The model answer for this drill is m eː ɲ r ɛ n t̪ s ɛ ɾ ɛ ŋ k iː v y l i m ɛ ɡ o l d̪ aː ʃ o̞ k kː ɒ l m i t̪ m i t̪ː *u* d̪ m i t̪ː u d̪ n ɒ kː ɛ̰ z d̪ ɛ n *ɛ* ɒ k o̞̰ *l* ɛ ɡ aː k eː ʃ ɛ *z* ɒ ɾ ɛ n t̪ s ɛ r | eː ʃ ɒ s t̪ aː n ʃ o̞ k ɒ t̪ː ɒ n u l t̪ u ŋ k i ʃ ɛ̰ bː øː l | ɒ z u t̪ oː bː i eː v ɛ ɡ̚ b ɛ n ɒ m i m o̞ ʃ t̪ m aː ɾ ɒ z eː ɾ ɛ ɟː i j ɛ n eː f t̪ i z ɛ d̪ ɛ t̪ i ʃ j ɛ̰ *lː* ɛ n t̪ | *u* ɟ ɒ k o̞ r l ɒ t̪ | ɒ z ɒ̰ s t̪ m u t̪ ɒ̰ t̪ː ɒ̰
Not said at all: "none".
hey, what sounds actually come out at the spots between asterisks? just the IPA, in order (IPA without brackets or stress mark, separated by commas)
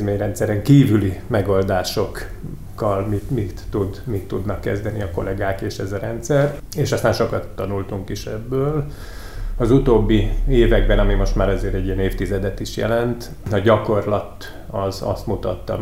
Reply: u, i, l, z, l, ɒ